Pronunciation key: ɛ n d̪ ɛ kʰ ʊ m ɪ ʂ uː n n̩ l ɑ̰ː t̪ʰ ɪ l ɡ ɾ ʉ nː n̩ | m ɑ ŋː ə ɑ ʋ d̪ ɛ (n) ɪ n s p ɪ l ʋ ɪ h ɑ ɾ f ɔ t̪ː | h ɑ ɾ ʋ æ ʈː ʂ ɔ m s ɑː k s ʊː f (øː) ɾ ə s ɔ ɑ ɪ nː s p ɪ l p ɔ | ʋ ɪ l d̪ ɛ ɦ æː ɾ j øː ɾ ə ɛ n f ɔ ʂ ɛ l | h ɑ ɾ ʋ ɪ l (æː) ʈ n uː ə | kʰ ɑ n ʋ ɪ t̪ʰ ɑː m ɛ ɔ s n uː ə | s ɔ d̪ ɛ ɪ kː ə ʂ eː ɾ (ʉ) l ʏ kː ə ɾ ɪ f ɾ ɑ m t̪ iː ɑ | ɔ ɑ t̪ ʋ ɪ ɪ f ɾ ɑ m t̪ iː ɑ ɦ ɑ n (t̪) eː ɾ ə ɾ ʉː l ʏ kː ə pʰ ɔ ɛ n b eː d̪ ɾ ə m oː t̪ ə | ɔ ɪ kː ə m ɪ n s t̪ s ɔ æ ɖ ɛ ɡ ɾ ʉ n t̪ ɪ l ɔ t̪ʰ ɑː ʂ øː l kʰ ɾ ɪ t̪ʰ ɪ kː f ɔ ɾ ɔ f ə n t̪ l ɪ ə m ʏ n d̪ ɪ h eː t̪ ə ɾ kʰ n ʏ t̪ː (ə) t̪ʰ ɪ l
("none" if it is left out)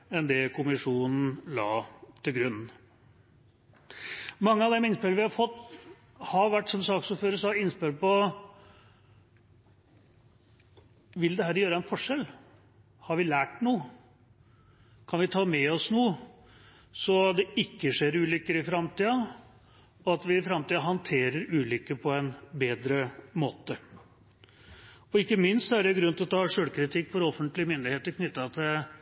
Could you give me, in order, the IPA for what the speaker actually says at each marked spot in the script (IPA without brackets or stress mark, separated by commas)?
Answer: m, øː, æː, ʉː, t̪ʰ, ɑ